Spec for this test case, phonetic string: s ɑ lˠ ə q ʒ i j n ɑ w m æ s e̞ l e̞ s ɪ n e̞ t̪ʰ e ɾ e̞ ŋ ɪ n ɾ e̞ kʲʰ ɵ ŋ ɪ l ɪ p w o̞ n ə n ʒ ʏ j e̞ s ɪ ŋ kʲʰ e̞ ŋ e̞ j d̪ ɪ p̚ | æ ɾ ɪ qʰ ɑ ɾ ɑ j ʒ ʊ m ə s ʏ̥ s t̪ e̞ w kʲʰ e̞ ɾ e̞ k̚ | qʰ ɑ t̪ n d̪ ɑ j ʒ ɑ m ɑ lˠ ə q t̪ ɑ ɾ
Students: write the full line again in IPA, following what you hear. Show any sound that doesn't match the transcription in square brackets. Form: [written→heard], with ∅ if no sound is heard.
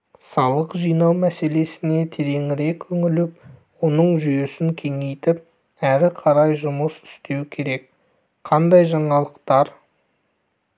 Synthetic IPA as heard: s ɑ lˠ ə q ʒ i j n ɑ w m æ s e̞ l e̞ s ɪ n e̞ t̪ʰ e ɾ e̞ ŋ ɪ [n→∅] ɾ e̞ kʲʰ ɵ ŋ ɪ l ɪ p w o̞ n ə [n→ɴ] ʒ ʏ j e̞ s ɪ ŋ kʲʰ e̞ ŋ e̞ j [d̪→t̪] ɪ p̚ | æ ɾ ɪ qʰ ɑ ɾ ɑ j ʒ ʊ m ə s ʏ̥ s t̪ e̞ w kʲʰ e̞ ɾ e̞ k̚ | qʰ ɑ [t̪→∅] n d̪ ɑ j ʒ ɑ [m→ɴ] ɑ lˠ ə q t̪ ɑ ɾ